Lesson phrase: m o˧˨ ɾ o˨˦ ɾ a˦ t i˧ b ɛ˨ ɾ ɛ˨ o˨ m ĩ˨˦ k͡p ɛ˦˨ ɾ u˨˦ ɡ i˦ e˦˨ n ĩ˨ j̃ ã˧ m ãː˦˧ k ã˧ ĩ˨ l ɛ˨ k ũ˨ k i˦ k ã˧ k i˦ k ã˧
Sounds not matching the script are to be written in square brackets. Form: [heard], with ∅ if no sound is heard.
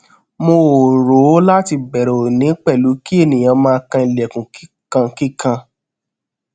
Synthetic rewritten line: m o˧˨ ɾ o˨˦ [l] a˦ t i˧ b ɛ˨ ɾ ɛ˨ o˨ [n] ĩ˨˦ k͡p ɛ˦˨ [l] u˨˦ [k] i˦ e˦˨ n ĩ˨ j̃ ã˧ m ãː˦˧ k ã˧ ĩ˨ l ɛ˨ k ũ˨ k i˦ k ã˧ k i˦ k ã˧